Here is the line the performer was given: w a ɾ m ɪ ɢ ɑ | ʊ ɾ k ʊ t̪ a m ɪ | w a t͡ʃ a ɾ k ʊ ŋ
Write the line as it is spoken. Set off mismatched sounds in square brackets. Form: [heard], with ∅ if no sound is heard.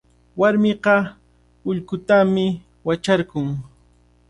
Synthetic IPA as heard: w a ɾ m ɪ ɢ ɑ | ʊ [ʎ] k ʊ t̪ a m ɪ | w a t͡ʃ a ɾ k ʊ ŋ